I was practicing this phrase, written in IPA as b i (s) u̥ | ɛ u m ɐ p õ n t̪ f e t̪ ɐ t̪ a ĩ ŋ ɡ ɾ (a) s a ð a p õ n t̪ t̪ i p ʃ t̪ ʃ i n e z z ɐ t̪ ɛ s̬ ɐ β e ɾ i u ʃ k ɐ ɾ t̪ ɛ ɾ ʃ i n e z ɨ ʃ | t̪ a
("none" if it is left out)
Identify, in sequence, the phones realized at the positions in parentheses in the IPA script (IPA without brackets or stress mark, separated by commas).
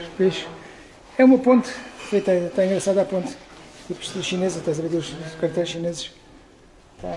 ʃ, ɐ